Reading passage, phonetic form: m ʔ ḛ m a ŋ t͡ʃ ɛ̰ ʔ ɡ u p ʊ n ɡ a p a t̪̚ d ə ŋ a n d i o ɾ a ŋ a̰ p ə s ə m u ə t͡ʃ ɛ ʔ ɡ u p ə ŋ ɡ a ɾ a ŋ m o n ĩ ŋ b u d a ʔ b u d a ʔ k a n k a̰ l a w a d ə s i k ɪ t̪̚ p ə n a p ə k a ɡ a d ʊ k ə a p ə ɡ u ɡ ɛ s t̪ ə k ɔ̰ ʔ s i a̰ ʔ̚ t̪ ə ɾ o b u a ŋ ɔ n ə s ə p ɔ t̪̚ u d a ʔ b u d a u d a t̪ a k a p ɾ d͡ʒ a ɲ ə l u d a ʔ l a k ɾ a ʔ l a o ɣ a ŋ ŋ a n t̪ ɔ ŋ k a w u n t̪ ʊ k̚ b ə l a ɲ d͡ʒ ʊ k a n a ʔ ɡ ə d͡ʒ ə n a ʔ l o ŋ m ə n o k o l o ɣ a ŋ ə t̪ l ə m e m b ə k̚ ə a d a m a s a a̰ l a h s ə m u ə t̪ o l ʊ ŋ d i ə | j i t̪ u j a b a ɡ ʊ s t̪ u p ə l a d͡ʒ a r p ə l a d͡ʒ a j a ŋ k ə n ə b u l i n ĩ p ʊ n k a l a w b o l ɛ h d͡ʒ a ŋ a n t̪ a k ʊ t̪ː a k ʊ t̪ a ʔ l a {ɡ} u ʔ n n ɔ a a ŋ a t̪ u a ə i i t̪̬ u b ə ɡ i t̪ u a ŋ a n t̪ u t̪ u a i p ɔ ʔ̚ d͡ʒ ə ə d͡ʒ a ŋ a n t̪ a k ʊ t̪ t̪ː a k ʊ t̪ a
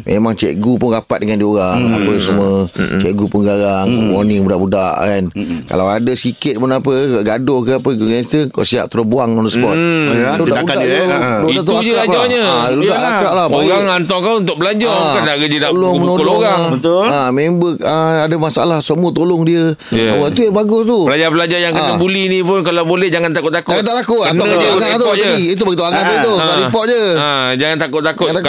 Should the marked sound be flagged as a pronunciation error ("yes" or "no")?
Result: yes